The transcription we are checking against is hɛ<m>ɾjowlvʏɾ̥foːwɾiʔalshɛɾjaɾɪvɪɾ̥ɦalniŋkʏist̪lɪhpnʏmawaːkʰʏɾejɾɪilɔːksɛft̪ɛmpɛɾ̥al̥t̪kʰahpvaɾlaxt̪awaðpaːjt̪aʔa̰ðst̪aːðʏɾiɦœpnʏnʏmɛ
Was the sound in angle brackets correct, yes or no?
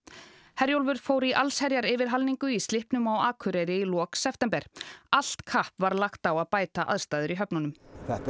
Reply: no